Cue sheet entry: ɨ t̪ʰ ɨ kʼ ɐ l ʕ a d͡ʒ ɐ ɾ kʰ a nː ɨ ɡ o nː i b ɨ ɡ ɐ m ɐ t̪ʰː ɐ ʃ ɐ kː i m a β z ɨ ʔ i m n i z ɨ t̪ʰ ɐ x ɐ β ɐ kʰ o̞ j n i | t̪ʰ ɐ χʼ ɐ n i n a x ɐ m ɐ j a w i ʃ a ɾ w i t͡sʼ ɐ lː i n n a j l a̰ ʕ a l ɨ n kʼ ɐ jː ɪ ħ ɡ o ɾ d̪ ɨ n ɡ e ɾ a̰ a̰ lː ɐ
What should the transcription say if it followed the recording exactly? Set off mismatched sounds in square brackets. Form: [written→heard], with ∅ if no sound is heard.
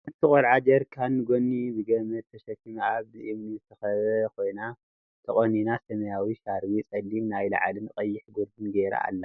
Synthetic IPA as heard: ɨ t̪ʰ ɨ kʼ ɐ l ʕ a d͡ʒ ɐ ɾ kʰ a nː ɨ ɡ o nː i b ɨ ɡ ɐ m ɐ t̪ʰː ɐ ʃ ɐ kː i m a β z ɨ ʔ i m n i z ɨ t̪ʰ ɐ x ɐ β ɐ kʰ o̞ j n [i→a] | t̪ʰ ɐ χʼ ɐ n i n a [x→s] ɐ m ɐ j a w i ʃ a ɾ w i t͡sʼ ɐ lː i [n→m] n a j l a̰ ʕ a l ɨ n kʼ ɐ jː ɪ ħ ɡ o ɾ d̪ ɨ n ɡ e ɾ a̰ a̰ lː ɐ